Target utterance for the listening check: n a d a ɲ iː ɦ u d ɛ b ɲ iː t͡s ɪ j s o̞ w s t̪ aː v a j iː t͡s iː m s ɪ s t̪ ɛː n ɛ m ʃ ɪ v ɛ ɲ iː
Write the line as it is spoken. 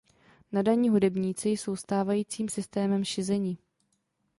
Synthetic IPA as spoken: n a d a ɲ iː ɦ u d ɛ b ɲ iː t͡s ɪ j s o̞ w s t̪ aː v a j iː t͡s iː m s ɪ s t̪ ɛː m ɛ m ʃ ɪ z ɛ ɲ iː